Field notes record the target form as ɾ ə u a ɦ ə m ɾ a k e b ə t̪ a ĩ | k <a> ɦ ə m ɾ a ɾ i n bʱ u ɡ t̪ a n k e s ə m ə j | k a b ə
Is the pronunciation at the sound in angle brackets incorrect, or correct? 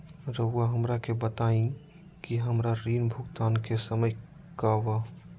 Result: incorrect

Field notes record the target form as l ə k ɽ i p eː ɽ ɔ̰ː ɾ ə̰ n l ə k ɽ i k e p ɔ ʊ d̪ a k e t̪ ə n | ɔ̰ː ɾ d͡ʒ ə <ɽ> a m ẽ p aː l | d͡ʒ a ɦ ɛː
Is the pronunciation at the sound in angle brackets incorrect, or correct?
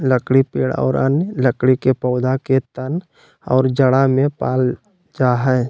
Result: correct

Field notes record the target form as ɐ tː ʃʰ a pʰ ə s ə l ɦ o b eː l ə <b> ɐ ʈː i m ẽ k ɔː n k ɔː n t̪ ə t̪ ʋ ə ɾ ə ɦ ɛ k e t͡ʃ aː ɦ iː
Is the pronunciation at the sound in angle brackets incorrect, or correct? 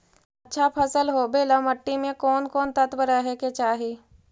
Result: incorrect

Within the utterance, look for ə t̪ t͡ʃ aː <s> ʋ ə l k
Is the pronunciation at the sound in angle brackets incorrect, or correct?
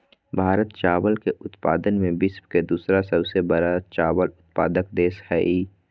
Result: incorrect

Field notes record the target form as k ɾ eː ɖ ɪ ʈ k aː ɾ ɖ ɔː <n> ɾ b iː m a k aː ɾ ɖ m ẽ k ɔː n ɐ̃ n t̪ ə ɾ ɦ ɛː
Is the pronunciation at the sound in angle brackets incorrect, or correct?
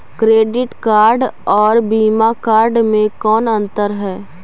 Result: incorrect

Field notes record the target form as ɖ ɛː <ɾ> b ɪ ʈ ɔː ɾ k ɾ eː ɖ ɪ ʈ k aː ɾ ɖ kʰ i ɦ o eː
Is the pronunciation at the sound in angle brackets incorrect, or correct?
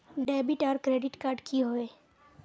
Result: incorrect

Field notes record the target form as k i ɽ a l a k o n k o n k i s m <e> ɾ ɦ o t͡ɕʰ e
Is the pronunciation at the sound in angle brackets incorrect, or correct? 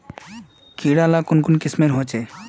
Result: correct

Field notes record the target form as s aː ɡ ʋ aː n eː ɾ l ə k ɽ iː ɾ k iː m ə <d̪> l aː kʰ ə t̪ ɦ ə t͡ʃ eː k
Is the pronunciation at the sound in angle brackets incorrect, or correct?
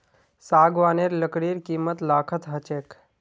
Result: incorrect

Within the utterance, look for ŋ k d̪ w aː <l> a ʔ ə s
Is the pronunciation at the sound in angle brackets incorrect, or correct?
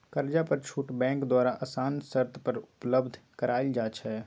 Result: incorrect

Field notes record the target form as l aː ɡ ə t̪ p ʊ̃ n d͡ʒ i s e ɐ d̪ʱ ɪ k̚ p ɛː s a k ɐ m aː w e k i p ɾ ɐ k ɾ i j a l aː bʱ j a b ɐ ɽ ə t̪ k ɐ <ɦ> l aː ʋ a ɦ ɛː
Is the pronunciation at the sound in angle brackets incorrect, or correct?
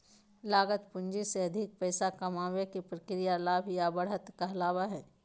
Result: correct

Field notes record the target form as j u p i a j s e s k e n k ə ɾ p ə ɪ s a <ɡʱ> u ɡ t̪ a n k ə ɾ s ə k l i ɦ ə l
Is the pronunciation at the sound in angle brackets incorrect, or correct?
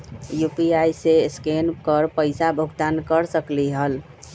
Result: incorrect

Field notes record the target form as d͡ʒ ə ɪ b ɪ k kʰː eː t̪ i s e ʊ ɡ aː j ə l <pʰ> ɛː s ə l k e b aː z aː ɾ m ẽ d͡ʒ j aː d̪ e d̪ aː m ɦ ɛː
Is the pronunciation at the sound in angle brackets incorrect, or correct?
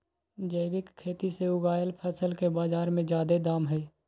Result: correct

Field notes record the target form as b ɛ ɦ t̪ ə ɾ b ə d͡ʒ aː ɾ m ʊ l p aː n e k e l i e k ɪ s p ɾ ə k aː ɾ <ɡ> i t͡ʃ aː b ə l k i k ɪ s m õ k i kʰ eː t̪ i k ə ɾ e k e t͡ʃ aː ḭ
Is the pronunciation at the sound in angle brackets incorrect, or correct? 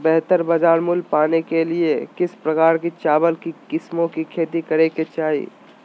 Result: incorrect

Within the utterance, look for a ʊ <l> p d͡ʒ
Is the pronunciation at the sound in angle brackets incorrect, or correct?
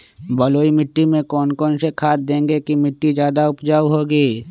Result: incorrect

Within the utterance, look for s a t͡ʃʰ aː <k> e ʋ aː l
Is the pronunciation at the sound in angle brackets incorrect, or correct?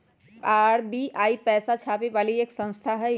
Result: incorrect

